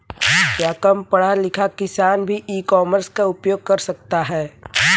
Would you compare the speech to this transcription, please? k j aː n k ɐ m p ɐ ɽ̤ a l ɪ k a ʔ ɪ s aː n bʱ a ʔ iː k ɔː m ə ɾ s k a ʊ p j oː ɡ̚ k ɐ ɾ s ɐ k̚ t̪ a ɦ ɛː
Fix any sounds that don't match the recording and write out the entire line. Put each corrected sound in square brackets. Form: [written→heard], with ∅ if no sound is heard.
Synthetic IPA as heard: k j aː [n→∅] k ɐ m p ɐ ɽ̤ a l ɪ [k→kʰ] a [ʔ→k] ɪ s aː n bʱ [a→i] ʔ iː k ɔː m ə ɾ s k a ʊ p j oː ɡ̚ k ɐ ɾ s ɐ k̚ t̪ a ɦ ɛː